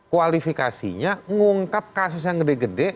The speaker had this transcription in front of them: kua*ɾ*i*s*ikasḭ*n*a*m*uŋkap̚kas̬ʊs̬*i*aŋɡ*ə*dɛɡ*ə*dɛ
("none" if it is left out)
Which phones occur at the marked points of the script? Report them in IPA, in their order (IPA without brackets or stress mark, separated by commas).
l, f, ɲ, ŋ, j, ə, ə